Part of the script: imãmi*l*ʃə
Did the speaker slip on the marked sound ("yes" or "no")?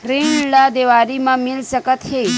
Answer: no